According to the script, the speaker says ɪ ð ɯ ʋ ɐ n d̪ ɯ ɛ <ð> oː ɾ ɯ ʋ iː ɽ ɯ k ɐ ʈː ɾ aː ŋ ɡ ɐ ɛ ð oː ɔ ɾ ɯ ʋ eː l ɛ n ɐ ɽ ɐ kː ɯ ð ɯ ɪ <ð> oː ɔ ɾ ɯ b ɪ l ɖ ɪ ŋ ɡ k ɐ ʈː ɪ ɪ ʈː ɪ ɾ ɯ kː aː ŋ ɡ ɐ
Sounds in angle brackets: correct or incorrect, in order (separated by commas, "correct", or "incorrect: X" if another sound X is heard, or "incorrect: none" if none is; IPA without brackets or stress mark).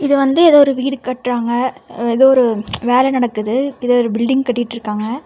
correct, correct